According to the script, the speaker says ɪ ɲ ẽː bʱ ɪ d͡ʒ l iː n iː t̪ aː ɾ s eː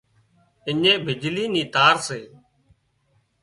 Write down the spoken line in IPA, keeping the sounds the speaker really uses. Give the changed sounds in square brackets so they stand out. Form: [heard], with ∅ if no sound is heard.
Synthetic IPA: ɪ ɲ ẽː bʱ ɪ d͡ʒ l iː n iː t̪ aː ɾ s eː